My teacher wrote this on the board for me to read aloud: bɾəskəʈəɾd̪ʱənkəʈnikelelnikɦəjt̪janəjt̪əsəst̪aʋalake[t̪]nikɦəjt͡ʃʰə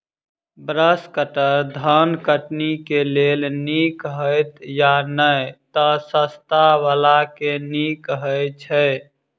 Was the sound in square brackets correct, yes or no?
no